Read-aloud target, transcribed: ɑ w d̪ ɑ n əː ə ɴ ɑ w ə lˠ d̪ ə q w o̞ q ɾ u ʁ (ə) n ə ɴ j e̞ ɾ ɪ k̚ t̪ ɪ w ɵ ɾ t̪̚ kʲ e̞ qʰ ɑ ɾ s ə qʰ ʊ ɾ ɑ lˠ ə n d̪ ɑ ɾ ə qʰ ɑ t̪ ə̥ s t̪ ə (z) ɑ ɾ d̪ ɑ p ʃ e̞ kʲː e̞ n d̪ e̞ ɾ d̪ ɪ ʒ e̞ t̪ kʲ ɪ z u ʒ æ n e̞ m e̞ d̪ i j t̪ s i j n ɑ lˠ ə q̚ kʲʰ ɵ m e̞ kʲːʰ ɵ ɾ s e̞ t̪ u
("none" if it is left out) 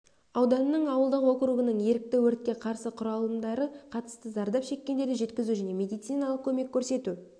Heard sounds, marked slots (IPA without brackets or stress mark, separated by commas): ə, z